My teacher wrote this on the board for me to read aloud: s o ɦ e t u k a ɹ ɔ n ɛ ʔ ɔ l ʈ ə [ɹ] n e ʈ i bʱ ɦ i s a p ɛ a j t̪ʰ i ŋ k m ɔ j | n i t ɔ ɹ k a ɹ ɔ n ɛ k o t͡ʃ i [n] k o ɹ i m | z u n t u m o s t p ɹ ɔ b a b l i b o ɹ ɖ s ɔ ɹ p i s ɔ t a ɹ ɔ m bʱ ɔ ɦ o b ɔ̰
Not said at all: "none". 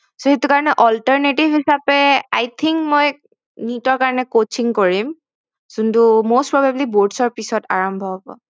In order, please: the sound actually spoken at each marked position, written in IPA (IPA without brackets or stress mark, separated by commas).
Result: ɹ, ŋ